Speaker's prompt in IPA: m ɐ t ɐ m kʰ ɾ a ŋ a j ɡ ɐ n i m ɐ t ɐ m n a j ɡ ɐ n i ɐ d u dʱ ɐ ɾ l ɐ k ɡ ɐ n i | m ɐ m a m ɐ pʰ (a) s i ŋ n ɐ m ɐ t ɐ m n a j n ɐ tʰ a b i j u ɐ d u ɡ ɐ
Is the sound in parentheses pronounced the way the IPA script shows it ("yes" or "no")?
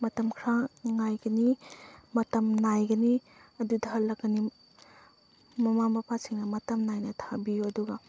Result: yes